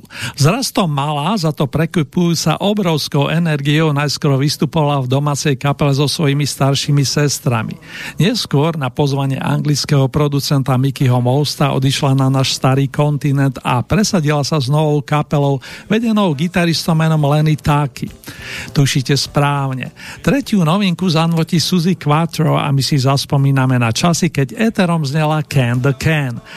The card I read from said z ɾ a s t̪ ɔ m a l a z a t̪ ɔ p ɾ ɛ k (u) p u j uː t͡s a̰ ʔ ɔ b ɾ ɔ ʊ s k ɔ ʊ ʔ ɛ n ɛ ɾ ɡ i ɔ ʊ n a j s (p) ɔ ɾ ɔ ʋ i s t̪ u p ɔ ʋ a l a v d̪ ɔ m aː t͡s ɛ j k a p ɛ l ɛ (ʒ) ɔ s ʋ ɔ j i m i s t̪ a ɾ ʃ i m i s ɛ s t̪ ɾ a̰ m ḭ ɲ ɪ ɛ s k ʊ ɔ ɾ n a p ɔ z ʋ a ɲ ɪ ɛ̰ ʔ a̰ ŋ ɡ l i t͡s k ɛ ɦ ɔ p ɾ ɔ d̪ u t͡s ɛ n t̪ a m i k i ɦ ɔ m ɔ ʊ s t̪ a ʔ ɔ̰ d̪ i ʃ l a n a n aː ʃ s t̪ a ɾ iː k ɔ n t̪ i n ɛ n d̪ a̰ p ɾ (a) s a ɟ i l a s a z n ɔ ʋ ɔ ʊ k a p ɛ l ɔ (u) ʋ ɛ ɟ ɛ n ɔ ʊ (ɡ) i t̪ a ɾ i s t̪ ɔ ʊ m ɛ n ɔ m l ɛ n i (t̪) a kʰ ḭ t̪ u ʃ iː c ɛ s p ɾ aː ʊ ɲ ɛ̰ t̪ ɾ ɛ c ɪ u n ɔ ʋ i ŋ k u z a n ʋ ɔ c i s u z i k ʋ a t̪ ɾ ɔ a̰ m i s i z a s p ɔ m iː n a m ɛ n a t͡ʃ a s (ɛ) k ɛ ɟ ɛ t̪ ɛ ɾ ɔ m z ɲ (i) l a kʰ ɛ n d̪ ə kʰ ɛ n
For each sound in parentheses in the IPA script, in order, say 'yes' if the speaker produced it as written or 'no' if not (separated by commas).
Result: yes, no, no, no, no, yes, yes, no, no